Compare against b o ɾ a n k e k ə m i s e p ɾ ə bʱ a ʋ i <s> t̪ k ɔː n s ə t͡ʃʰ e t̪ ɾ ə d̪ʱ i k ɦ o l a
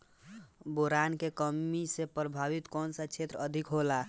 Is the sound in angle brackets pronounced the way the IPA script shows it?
no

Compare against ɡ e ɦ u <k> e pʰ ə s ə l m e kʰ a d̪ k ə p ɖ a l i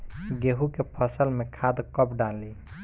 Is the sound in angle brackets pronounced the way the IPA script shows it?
yes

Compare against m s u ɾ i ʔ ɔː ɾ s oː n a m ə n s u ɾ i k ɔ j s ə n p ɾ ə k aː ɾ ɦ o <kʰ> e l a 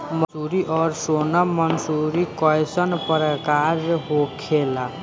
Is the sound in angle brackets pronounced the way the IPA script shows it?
yes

